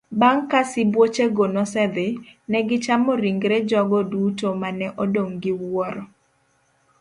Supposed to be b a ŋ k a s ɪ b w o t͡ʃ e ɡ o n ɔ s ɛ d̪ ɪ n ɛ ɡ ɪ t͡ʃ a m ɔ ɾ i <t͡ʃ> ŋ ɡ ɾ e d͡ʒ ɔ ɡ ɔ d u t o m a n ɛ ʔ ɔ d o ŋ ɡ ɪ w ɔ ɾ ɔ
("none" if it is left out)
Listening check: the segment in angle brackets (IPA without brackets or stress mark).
none